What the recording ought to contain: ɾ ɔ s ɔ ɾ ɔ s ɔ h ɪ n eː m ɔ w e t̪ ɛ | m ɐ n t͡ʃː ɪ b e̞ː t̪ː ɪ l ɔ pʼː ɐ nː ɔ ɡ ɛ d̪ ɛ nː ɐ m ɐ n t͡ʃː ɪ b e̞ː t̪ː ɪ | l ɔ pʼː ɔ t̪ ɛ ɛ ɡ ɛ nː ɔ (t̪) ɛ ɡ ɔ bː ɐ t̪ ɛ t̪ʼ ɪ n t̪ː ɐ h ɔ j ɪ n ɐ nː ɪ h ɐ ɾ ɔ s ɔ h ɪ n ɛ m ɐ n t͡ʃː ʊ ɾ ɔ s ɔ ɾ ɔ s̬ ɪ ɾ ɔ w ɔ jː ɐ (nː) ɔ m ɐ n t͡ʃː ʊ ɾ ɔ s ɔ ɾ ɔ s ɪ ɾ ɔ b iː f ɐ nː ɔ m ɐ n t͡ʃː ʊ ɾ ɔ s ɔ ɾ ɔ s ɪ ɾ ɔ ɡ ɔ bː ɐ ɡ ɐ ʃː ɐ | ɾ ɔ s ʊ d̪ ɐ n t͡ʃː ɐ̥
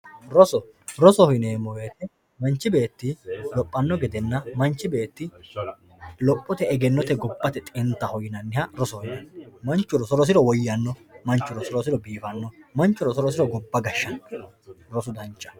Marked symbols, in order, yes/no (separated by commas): yes, yes